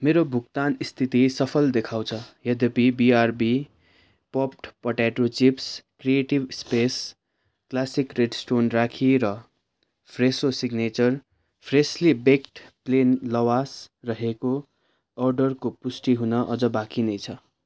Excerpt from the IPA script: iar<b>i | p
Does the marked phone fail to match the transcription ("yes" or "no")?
no